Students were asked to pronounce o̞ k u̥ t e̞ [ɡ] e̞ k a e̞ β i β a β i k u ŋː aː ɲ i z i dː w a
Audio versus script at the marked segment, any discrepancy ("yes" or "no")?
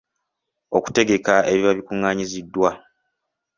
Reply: no